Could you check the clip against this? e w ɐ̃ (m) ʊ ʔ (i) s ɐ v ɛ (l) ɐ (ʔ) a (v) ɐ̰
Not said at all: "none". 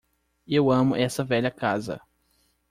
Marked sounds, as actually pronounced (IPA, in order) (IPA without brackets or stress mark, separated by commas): m, ɛ, ʎ, k, z